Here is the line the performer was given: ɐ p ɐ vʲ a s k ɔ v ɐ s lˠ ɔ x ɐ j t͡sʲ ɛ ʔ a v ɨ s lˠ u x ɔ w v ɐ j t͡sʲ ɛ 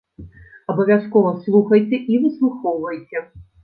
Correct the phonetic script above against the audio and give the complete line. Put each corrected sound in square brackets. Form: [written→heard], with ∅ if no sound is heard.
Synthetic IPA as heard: ɐ [p→b] ɐ vʲ a s k ɔ v ɐ s lˠ [ɔ→u] x ɐ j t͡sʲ ɛ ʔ [a→i] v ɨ s lˠ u x ɔ w v ɐ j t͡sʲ ɛ